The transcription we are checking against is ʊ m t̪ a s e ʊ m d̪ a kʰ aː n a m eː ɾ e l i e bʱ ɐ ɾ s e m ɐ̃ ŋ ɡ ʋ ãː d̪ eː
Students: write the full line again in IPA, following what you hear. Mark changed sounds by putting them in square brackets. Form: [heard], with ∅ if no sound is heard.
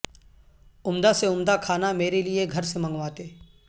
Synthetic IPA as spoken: ʊ m [d̪] a s e ʊ m d̪ a kʰ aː n a m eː ɾ e l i e [ɡʱ] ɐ ɾ s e m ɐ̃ ŋ ɡ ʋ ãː [t̪] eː